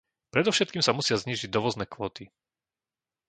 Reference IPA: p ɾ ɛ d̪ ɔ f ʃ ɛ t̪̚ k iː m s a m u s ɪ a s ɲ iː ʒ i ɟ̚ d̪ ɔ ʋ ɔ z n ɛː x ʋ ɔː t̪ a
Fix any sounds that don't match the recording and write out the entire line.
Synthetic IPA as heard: p ɾ ɛ d̪ ɔ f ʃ ɛ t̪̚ k iː m s a m u s ɪ a z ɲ iː ʒ i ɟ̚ d̪ ɔ ʋ ɔ z n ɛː k ʋ ɔː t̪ i